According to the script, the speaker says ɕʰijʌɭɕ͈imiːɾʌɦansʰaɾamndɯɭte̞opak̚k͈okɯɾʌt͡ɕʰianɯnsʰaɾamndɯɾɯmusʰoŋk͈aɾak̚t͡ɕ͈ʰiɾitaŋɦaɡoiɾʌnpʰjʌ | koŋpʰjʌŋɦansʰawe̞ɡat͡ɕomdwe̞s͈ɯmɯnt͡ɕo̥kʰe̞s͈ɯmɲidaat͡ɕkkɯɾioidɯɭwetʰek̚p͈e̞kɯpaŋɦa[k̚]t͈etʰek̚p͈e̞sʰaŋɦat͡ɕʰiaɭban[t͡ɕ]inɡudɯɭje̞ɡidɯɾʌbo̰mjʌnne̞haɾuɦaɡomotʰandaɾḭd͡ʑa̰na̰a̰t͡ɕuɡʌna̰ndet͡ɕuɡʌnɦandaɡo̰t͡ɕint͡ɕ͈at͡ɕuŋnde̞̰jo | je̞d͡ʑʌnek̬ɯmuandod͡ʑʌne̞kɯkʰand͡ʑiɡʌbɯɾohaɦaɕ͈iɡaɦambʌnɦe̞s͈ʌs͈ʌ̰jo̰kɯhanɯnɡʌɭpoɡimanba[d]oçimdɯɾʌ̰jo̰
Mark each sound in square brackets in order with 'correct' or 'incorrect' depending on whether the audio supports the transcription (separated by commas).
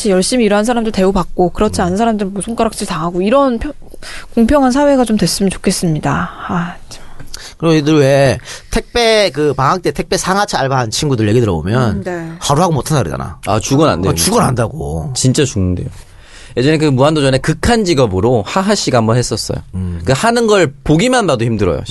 correct, incorrect, correct